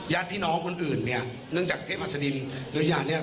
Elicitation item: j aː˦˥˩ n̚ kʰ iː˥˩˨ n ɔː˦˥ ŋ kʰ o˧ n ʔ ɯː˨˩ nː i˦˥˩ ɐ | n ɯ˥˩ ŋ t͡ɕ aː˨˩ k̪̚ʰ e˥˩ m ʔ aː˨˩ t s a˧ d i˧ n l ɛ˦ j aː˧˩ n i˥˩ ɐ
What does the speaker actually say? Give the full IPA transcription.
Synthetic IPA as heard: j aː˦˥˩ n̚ pʰ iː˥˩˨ n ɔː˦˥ ŋ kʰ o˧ n ʔ ɯː˨˩ nː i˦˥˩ ɐ | n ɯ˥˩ ŋ t͡ɕ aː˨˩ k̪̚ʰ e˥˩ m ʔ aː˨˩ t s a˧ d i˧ n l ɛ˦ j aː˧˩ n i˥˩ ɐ

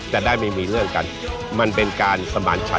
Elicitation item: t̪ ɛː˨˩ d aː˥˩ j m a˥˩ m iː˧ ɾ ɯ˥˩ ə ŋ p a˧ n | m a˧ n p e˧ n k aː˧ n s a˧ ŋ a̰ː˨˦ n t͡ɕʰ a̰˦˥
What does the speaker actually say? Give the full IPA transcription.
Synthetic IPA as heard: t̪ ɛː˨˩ d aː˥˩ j m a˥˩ m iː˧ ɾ ɯ˥˩ ə ŋ k a˧ n | m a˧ n p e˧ n k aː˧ n s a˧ m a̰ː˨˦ n t͡ɕʰ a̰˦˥

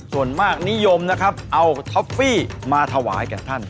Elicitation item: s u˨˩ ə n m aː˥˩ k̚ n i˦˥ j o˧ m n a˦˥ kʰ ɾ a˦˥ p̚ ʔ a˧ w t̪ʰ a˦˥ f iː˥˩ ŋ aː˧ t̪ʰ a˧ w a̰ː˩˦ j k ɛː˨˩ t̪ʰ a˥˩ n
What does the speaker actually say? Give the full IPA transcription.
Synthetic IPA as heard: s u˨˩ ə n m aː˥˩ k̚ n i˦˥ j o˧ m n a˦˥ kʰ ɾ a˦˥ p̚ ʔ a˧ w t̪ʰ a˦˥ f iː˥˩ m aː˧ t̪ʰ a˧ w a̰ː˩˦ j k ɛː˨˩ t̪ʰ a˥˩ n

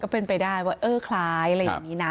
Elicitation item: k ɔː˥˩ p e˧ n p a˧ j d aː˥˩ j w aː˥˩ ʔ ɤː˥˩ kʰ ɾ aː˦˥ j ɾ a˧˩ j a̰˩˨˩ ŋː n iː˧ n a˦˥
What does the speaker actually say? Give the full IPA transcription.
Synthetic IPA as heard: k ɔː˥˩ p e˧ n p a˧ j d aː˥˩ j w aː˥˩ ʔ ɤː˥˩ kʰ l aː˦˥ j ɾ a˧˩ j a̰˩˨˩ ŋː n iː˦˥ n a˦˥

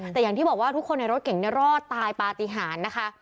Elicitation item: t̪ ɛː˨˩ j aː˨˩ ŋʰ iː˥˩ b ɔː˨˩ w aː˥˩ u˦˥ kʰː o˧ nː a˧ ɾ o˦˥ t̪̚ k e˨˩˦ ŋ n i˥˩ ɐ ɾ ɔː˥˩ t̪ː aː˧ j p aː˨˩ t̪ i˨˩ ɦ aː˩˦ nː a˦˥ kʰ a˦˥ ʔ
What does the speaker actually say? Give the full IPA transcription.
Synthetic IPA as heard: t̪ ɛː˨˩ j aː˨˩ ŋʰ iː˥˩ b ɔː˨˩ w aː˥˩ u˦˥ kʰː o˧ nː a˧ ɾ o˦˥ t̪̚ k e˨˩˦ ŋ n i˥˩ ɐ ɾ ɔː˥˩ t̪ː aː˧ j p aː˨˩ t̪ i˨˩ ɦ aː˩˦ nː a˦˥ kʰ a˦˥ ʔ

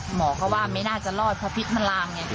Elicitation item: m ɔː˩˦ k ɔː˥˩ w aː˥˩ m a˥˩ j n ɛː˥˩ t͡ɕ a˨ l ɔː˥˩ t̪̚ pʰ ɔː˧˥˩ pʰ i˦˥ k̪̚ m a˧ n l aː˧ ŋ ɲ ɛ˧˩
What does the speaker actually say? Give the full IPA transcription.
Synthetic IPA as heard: m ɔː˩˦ k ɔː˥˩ w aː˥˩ m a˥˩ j n aː˥˩ t͡ɕ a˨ l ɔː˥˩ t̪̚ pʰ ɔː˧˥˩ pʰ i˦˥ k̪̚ m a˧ n l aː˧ ŋ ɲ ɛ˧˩

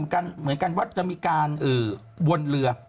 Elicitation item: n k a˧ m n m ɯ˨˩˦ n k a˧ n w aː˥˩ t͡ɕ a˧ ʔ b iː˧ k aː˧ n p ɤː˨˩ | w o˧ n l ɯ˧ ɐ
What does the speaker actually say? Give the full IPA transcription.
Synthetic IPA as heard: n k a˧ n m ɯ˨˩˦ n k a˧ n w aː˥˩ t͡ɕ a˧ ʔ m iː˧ k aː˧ n ʔ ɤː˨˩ | w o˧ n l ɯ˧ ɐ

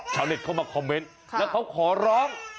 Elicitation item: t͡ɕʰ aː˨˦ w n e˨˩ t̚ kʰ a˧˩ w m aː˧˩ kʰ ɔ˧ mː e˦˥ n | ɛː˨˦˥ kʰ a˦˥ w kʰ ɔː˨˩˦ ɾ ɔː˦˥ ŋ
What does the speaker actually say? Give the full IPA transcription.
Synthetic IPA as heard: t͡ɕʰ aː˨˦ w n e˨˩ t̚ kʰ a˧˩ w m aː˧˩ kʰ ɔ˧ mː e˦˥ n | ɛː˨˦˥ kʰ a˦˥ w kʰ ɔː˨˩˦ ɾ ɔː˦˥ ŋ

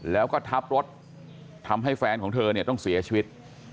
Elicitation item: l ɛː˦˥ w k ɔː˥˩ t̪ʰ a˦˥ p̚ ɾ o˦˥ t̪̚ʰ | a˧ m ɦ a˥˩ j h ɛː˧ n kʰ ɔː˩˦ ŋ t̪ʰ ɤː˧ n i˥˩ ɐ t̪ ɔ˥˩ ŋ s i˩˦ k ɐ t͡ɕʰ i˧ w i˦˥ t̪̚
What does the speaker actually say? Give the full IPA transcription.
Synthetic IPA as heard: l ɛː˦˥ w k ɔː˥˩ t̪ʰ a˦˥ p̚ ɾ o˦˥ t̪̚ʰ | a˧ m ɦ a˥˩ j f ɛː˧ n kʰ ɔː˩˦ ŋ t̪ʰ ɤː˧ n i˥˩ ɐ t̪ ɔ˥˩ ŋ s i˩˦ ɐ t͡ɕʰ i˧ w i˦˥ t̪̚

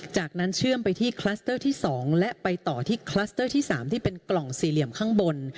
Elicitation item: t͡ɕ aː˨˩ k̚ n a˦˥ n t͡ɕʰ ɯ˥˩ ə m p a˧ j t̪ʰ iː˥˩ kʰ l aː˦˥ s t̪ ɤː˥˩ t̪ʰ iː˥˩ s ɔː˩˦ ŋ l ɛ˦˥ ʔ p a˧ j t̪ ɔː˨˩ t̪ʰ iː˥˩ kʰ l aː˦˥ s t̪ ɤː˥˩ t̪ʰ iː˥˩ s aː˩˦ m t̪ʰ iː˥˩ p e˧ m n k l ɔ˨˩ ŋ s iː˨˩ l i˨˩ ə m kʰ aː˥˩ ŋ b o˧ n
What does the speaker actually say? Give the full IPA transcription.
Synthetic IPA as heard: t͡ɕ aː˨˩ k̚ n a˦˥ n t͡ɕʰ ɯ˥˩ ə m p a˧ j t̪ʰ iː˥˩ kʰ l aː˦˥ s t̪ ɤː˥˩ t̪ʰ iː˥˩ s ɔː˩˦ ŋ l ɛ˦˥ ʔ p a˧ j t̪ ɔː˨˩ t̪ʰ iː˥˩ kʰ l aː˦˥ s t̪ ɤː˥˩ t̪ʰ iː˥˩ s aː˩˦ m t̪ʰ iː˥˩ p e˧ n k l ɔ˨˩ ŋ s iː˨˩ l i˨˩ ə m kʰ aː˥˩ ŋ b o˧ n

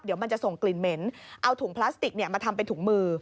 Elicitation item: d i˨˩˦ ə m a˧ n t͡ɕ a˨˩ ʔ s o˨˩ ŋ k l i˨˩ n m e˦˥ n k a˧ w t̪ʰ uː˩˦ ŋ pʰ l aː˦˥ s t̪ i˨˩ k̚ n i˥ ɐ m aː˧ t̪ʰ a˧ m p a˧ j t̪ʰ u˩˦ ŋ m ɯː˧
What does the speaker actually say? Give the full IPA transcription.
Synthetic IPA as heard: d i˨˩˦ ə m a˧ n t͡ɕ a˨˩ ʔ s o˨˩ ŋ k l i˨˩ n m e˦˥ n ʔ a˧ w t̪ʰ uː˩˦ ŋ pʰ l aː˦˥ s t̪ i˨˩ k̚ n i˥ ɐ m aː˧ t̪ʰ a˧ m p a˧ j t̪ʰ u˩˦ ŋ m ɯː˧

